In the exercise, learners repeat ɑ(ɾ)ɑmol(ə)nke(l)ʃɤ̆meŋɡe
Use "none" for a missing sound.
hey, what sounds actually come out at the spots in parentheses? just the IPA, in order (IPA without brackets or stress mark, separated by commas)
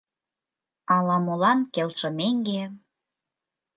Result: l, ɑ, l